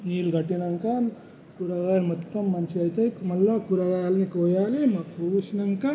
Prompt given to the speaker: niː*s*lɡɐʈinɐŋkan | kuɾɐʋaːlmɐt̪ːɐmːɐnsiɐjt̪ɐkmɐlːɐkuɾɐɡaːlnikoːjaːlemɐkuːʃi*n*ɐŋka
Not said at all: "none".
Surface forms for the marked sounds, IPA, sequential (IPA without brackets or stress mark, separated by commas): none, n